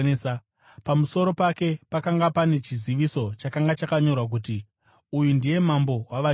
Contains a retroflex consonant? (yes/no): no